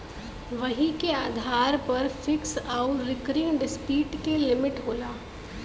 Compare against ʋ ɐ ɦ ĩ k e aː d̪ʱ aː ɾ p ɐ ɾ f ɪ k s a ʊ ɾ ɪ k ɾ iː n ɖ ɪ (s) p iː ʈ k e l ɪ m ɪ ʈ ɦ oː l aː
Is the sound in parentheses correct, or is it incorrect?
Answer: correct